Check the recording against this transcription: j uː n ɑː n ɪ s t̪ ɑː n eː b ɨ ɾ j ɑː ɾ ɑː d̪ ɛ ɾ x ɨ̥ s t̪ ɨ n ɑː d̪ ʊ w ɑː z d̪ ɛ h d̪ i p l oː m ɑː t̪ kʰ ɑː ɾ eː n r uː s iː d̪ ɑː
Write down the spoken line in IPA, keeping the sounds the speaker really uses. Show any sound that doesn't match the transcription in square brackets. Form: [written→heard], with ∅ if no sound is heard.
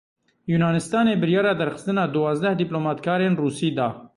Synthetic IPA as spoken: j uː n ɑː n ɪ s t̪ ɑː n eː b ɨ ɾ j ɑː ɾ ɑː d̪ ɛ ɾ x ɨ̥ s t̪ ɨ n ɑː d̪ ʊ w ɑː z d̪ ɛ h d̪ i p l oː m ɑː t̪ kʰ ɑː ɾ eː n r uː s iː d̪ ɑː